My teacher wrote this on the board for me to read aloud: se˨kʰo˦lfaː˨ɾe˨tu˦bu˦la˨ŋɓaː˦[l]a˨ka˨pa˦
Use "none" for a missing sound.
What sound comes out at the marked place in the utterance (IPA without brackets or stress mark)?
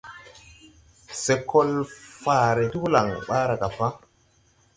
ɾ